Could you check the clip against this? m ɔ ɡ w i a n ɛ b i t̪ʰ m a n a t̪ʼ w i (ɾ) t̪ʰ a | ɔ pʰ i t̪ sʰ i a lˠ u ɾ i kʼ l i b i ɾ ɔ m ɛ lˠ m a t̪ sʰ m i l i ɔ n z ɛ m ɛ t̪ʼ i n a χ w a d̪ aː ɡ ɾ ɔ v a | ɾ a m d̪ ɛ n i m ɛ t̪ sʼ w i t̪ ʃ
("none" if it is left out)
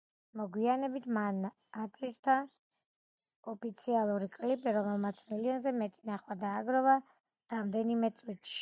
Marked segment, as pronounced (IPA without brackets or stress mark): ɾ